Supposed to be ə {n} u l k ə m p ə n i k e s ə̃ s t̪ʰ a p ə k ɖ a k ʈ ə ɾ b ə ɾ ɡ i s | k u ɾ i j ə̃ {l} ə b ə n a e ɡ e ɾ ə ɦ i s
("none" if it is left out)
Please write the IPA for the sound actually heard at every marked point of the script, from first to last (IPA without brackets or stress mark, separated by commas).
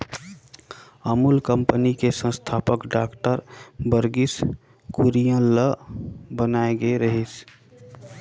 m, l